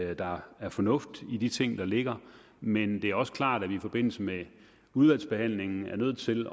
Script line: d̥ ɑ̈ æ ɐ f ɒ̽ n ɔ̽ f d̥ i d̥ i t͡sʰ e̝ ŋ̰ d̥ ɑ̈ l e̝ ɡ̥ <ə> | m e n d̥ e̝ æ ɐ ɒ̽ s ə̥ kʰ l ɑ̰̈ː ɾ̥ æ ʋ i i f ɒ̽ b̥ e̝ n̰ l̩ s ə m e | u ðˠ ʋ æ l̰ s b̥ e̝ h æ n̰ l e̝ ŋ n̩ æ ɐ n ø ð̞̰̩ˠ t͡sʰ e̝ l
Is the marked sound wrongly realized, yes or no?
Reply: yes